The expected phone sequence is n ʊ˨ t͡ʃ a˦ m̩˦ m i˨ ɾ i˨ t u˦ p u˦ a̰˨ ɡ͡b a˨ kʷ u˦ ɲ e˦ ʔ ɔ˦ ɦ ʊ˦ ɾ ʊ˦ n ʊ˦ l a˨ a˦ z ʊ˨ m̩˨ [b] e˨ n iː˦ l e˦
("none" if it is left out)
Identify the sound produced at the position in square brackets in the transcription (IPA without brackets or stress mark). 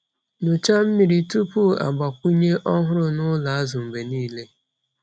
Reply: b